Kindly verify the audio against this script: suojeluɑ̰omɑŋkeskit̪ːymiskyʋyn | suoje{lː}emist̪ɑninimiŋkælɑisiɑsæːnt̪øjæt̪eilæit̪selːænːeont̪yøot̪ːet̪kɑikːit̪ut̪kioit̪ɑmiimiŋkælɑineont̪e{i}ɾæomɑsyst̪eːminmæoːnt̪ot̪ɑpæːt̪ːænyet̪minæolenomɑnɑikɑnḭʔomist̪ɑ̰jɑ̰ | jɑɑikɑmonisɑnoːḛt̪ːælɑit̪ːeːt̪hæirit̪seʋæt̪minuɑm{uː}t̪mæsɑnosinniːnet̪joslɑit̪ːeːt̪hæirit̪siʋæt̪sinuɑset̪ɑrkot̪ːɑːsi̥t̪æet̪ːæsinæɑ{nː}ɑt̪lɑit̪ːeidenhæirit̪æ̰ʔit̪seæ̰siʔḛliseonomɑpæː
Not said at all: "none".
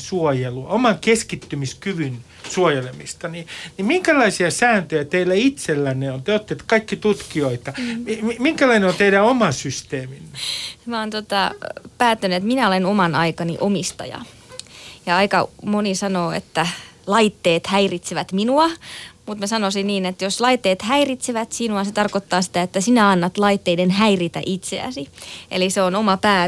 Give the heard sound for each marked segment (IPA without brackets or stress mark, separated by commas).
l, i, u, nː